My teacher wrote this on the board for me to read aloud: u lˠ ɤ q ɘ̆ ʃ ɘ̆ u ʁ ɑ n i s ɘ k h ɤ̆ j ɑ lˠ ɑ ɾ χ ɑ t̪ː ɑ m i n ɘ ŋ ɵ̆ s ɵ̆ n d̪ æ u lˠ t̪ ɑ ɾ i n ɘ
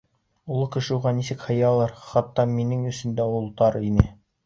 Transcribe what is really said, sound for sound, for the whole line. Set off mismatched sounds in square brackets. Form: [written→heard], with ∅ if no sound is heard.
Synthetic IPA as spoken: u lˠ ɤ [q→k] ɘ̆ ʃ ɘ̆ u ʁ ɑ n i s ɘ k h ɤ̆ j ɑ lˠ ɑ ɾ χ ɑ t̪ː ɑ m i n ɘ ŋ ɵ̆ s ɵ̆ n d̪ æ u lˠ t̪ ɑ ɾ i n ɘ